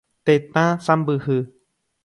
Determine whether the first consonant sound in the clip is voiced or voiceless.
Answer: voiceless